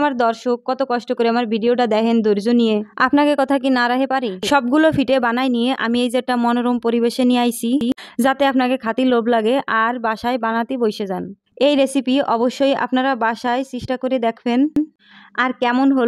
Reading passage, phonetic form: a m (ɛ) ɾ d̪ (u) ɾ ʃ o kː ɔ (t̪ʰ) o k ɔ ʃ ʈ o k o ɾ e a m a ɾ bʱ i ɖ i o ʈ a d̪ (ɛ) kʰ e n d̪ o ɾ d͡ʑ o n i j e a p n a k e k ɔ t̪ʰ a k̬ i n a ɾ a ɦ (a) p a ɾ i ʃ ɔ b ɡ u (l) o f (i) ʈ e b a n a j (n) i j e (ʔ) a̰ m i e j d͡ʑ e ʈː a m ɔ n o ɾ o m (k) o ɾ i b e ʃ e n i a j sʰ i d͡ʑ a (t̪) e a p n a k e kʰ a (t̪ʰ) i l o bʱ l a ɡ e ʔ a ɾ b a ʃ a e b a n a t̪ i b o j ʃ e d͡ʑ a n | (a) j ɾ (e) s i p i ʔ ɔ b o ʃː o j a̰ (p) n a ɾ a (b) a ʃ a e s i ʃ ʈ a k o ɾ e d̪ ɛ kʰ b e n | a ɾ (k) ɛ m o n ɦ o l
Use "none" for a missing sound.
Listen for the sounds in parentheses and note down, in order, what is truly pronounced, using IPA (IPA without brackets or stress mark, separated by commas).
a, ɔ, t̪, ɛ, e, l, i, n, ʔ, p, t̪, t̪, e, e, p, b, k